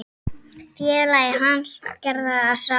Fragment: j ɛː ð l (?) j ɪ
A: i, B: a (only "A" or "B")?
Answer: B